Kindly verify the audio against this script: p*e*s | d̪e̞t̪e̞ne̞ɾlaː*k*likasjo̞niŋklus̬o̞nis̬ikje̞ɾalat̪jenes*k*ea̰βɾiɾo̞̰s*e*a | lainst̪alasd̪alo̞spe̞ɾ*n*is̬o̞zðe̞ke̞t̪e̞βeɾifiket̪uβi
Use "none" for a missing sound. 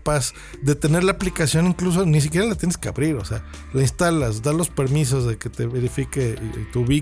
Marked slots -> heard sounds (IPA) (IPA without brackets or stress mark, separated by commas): a, p, k, e, m